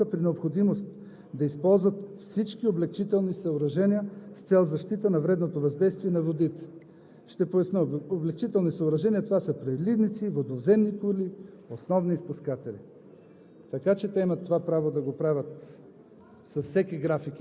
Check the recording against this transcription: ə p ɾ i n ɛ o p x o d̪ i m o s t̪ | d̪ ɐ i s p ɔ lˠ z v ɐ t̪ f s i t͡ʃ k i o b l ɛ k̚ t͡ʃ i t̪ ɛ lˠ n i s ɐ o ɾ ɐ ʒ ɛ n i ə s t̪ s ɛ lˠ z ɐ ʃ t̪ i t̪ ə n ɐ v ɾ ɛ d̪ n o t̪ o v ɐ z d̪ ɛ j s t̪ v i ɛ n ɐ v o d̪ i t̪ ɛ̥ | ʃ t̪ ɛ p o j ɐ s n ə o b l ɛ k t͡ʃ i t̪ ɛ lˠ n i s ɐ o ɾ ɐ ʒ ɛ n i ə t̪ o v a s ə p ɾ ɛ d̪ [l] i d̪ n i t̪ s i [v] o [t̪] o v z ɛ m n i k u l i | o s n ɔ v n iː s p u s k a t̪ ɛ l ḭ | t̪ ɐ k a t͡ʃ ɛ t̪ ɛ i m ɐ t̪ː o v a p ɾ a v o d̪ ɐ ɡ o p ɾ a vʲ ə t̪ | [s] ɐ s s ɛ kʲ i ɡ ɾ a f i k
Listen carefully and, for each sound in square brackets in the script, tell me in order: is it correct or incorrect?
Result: correct, correct, incorrect, correct

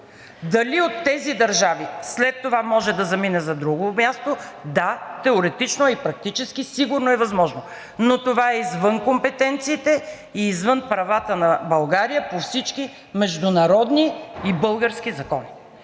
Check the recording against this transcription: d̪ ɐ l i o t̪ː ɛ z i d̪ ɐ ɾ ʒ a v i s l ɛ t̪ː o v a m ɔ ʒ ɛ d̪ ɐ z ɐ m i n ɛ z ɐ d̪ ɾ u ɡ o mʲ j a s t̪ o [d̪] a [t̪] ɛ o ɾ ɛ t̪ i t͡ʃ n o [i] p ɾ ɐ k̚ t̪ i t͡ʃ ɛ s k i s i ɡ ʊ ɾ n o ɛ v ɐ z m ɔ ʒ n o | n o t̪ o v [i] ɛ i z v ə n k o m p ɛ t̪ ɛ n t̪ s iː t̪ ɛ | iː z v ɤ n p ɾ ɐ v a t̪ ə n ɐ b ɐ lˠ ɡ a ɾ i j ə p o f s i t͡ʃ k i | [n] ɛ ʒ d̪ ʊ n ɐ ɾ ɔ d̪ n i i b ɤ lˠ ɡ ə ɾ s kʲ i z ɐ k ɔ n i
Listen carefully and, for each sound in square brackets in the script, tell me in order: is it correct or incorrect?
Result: correct, correct, correct, incorrect, incorrect

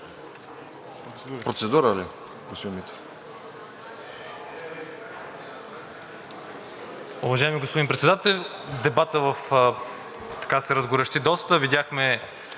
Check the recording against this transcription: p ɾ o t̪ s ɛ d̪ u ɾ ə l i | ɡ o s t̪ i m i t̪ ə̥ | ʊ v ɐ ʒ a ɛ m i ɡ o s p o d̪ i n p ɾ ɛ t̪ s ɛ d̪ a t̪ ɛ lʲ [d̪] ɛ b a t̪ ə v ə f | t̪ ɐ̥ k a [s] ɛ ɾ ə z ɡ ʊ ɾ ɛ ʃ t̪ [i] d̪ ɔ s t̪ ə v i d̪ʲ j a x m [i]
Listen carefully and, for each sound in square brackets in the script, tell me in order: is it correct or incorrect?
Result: correct, correct, correct, incorrect

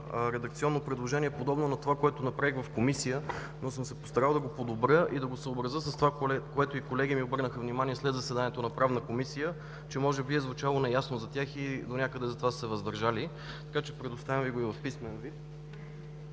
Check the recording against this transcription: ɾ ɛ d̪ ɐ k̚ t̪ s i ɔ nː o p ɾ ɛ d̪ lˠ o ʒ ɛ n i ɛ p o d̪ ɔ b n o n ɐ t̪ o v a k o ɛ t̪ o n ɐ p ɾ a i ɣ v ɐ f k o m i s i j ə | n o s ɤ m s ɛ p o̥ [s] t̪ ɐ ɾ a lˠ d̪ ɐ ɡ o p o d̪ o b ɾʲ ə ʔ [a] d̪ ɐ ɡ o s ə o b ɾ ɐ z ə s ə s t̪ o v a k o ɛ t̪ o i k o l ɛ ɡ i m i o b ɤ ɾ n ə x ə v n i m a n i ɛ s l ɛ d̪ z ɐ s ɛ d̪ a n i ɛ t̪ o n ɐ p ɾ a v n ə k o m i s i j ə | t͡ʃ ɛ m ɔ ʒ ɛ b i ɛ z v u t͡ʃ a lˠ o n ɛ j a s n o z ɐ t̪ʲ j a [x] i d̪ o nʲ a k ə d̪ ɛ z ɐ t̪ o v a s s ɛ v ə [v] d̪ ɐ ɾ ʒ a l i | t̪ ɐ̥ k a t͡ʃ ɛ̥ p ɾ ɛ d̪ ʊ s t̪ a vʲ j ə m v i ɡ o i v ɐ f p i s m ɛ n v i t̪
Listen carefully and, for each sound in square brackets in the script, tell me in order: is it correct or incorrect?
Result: correct, incorrect, correct, incorrect

